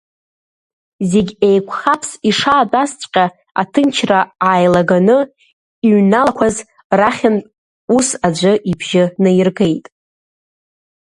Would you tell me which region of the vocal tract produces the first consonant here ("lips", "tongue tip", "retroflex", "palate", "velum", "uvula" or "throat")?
tongue tip